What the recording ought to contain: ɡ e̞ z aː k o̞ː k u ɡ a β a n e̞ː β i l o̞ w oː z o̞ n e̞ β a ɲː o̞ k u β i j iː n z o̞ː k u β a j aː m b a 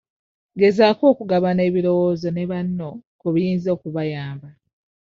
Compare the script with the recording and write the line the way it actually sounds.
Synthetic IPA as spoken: ɡ e̞ z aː k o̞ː k u ɡ a β a n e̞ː β i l o̞ w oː z o̞ n e̞ β a nː o̞ k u β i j iː n z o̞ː k u β a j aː m b a